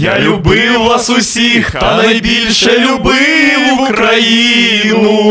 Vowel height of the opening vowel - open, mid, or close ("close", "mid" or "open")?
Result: open